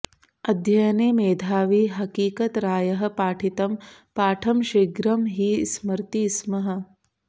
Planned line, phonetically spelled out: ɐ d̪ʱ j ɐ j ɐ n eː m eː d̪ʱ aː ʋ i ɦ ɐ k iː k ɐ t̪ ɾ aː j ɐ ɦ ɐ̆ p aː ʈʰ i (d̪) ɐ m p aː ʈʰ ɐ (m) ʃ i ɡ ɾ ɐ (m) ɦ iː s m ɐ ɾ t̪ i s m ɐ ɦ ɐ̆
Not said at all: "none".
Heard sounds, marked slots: t̪, m, m

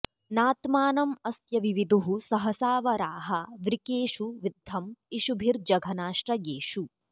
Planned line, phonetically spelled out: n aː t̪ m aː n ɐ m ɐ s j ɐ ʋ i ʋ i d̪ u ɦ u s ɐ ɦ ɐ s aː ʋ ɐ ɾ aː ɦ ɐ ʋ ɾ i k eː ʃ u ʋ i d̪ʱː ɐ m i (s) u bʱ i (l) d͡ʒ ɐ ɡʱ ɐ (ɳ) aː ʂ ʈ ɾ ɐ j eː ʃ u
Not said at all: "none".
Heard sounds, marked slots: ʃ, ɾ, n

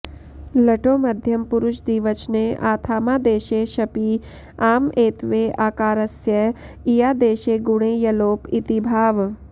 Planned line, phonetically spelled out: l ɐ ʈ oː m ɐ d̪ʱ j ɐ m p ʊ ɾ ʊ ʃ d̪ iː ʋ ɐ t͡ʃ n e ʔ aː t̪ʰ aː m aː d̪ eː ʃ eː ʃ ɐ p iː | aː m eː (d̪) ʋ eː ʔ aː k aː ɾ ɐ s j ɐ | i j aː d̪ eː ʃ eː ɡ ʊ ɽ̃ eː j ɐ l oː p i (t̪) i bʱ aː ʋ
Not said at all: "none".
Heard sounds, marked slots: t̪, t̪

